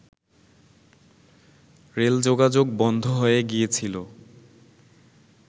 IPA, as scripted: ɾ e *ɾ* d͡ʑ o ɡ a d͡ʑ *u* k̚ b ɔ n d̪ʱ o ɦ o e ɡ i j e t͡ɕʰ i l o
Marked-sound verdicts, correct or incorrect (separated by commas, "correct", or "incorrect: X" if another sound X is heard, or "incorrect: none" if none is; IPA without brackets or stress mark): incorrect: l, incorrect: o